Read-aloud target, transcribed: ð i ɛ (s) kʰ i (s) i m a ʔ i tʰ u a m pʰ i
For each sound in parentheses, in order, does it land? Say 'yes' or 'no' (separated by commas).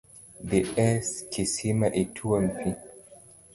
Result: yes, yes